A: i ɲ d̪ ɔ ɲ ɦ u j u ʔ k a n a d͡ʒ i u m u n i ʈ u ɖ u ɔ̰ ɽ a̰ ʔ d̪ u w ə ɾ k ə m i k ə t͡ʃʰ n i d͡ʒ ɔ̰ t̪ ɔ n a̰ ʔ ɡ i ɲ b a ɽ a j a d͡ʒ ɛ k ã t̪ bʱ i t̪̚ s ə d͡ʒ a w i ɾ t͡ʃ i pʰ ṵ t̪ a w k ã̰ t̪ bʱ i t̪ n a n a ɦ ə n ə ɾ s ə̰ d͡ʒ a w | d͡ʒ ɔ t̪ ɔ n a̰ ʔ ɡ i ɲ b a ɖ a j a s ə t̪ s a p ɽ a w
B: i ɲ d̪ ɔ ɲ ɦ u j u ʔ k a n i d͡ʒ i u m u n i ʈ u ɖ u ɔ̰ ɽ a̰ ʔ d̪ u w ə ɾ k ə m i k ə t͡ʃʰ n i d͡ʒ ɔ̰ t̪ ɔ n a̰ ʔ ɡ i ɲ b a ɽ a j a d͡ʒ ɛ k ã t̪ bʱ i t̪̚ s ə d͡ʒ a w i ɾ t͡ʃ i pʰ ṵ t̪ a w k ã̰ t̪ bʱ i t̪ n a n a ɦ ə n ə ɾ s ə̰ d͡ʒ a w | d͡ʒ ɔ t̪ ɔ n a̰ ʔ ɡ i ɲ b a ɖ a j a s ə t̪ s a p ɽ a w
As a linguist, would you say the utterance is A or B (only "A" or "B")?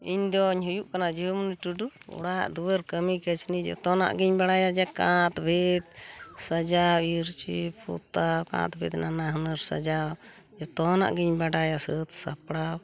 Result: A